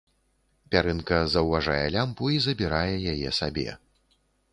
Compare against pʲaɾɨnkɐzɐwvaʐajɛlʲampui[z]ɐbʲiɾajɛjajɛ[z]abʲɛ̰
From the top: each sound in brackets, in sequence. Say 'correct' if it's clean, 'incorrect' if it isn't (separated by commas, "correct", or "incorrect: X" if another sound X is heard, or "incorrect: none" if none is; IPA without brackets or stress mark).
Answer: correct, incorrect: s